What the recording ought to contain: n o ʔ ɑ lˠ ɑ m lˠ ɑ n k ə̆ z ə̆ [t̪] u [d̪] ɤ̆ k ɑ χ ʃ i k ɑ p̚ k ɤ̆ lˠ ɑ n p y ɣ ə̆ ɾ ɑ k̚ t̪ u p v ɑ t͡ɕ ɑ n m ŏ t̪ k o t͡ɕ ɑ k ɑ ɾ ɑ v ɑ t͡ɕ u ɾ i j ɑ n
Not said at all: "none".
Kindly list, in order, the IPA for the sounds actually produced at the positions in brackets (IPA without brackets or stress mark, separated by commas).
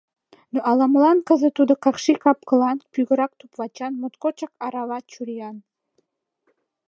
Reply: t̪, d̪